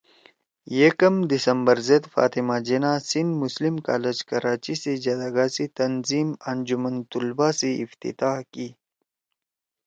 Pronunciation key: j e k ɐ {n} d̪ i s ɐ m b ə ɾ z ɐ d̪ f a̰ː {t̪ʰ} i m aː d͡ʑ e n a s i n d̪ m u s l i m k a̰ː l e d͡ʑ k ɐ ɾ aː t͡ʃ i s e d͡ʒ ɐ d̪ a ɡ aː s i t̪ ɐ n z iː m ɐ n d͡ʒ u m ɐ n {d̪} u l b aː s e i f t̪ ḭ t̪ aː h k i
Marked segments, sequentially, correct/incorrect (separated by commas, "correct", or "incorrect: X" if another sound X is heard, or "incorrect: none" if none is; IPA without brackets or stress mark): incorrect: m, incorrect: t̪, incorrect: t̪